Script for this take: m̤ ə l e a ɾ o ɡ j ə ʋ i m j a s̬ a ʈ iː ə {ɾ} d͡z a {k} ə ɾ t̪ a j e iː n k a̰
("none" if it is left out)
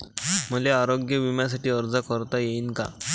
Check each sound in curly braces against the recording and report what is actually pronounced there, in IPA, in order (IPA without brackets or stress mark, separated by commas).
ɾ, k